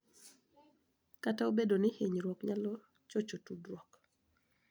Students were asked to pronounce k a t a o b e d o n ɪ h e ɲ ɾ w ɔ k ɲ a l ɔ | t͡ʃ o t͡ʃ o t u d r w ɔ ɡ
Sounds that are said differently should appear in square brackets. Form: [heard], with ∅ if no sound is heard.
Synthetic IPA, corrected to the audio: k a t a o b e d o n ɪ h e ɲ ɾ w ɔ k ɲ a l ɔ | t͡ʃ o t͡ʃ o t u d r w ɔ [k]